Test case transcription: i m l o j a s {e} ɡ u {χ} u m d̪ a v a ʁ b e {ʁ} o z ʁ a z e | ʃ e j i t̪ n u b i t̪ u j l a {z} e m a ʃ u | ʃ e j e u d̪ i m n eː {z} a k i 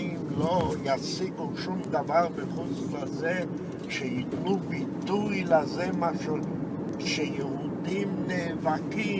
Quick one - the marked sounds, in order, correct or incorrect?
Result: incorrect: i, incorrect: ʃ, incorrect: χ, correct, incorrect: v

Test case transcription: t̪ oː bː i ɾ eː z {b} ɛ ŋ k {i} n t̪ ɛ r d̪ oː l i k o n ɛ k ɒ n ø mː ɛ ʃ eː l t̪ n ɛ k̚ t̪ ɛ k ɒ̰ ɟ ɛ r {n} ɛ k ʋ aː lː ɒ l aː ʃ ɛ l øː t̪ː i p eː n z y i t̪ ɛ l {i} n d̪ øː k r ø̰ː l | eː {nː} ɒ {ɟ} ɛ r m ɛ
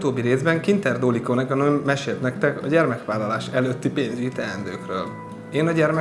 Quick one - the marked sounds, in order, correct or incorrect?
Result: correct, correct, incorrect: m, incorrect: ɛ, incorrect: n, correct

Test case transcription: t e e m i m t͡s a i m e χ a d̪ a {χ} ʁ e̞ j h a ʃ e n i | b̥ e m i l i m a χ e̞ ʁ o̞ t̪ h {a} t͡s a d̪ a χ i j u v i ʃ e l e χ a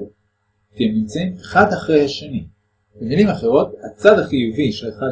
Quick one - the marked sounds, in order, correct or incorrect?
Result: correct, correct

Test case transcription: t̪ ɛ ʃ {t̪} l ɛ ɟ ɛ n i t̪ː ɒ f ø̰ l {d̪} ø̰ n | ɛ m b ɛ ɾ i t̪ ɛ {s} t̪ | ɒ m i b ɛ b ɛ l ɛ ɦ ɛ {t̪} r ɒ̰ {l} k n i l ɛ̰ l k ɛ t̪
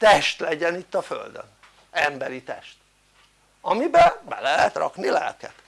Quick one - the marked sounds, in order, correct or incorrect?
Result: correct, correct, incorrect: ʃ, correct, incorrect: none

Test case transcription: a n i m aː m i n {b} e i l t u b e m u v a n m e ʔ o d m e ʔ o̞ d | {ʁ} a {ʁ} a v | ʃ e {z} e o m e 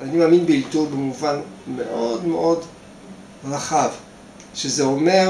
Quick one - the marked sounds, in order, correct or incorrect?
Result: correct, correct, incorrect: χ, correct

